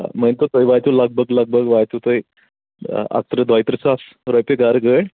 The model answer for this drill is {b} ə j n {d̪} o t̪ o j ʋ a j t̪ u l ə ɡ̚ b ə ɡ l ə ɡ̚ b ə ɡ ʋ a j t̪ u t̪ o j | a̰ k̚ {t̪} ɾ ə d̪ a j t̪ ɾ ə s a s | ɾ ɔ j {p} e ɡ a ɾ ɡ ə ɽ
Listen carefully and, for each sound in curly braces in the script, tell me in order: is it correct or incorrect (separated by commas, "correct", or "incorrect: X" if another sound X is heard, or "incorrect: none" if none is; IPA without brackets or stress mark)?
incorrect: m, incorrect: t̪, correct, correct